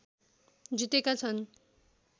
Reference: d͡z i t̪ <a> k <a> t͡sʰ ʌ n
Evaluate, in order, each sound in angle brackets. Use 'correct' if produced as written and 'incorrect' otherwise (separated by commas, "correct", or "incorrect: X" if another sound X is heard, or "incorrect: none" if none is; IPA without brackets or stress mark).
incorrect: e, correct